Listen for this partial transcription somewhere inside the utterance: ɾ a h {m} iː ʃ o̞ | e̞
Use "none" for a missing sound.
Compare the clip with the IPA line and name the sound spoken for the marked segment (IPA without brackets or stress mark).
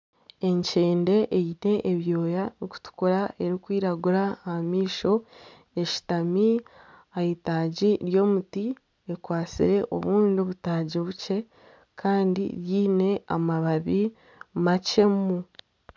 m